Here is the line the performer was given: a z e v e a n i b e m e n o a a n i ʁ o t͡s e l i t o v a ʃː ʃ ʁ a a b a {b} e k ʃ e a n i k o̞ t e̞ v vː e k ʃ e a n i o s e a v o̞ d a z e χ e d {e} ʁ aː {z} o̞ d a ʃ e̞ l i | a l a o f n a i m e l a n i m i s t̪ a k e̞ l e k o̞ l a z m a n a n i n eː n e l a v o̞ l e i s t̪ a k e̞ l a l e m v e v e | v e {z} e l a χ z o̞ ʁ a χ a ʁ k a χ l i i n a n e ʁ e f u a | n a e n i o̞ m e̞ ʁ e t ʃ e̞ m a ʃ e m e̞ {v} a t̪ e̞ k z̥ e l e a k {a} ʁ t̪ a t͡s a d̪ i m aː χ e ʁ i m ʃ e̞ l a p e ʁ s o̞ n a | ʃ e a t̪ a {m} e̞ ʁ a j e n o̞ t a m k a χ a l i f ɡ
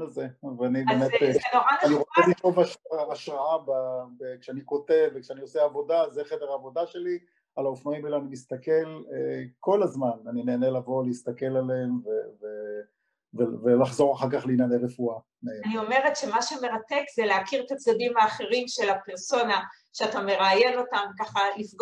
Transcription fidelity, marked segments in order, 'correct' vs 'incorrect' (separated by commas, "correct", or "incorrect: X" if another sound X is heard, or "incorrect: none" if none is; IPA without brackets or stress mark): correct, correct, incorrect: v, incorrect: v, incorrect: ʁ, incorrect: i, correct